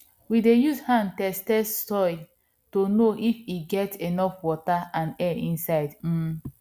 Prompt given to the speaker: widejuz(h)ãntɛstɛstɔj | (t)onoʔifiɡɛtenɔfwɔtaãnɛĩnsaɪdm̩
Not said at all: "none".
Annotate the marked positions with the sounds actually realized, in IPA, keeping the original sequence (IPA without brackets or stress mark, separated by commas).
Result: h, t